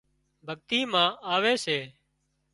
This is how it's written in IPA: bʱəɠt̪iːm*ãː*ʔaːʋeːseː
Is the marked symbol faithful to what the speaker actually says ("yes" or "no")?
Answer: yes